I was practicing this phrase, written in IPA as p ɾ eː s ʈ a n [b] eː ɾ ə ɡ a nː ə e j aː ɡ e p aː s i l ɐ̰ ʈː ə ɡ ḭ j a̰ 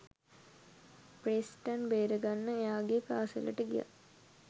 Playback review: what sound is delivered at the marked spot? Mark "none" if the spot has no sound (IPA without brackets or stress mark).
b